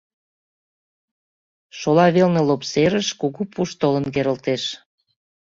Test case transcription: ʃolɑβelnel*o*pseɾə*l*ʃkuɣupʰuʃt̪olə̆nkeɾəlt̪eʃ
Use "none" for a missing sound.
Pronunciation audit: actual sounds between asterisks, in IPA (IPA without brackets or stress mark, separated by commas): o, none